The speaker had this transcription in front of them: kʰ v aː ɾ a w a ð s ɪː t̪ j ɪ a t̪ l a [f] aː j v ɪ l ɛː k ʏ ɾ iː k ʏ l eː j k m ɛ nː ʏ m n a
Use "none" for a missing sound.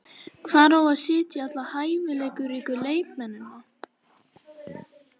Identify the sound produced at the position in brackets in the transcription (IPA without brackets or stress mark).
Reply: h